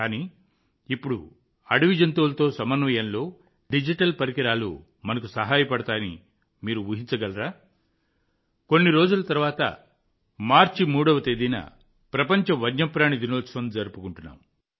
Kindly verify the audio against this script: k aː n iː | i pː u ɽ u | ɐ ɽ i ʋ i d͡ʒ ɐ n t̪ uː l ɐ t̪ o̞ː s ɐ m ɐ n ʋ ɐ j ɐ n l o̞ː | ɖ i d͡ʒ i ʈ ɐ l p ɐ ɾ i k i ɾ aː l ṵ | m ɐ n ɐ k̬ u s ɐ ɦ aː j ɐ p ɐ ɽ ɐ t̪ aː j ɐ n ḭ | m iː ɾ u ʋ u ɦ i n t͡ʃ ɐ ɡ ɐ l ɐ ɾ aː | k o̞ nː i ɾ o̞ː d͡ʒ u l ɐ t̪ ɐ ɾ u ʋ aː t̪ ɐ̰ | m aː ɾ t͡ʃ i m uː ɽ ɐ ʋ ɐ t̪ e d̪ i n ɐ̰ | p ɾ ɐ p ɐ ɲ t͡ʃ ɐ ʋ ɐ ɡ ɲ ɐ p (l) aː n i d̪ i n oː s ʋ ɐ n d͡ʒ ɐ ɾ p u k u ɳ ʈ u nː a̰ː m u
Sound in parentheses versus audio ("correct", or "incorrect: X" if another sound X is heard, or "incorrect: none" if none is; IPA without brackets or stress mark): incorrect: ɾ